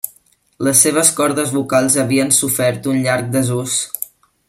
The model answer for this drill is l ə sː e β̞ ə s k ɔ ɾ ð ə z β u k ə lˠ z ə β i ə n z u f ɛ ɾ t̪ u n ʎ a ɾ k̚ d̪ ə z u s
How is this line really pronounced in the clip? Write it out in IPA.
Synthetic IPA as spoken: l ə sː e β̞ ə s k ɔ ɾ ð ə z β u k a lˠ z ə β i ə n s u f ɛ ɾ t̪ u n ʎ a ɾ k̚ d̪ ə z u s